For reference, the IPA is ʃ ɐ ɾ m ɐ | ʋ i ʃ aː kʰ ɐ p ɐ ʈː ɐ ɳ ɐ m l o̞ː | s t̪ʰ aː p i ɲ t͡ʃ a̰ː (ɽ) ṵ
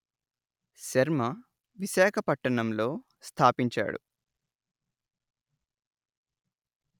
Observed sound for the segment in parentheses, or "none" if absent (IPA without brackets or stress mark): ɽ